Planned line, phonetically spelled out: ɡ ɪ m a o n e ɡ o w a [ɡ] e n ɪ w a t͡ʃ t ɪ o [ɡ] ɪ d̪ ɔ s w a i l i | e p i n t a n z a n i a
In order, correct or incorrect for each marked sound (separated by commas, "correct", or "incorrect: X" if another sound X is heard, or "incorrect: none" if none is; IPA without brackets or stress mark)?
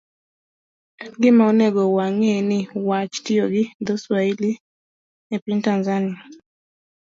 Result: incorrect: ŋ, correct